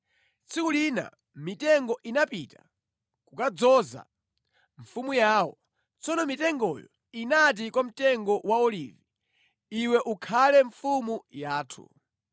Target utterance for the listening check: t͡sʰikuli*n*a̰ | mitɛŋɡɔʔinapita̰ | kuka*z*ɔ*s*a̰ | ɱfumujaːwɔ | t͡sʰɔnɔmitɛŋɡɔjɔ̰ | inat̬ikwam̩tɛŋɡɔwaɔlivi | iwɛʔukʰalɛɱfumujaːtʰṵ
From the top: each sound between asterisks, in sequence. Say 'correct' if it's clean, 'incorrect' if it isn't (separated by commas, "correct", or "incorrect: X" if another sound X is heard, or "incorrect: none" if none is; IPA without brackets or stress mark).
correct, incorrect: d͡z, incorrect: z